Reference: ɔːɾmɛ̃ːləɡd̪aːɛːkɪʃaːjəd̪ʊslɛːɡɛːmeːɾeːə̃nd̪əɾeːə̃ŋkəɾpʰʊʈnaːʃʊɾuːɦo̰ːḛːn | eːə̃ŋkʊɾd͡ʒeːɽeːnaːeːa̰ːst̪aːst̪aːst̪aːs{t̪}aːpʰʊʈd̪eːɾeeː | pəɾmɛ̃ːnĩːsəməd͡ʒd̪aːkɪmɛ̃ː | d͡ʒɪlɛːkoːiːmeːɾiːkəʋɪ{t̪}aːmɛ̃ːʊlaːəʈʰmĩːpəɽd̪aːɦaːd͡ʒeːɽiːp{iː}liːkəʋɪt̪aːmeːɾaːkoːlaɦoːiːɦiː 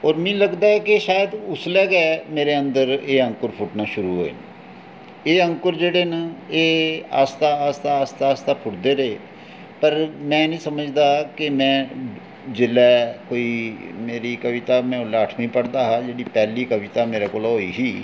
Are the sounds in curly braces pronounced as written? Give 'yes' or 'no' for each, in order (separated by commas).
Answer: yes, yes, no